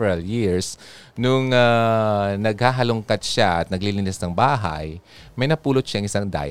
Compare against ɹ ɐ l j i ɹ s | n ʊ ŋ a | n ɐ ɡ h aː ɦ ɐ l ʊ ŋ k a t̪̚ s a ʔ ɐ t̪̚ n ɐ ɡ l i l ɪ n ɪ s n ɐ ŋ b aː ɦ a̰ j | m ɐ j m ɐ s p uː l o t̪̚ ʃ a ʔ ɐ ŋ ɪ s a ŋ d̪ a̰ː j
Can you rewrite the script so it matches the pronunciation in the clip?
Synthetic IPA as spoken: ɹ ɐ l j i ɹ s | n ʊ ŋ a | n ɐ ɡ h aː ɦ ɐ l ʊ ŋ k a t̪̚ ʃ a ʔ ɐ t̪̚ n ɐ ɡ l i l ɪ n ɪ s n ɐ ŋ b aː ɦ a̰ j | m ɐ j n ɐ p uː l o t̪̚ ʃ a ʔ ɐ ŋ ɪ s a ŋ d̪ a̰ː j